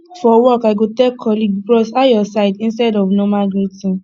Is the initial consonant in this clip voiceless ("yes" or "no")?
yes